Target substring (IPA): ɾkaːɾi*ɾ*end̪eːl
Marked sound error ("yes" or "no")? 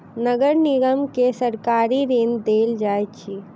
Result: no